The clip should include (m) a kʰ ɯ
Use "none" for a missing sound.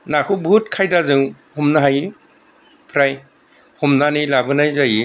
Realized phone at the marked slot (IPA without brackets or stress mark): n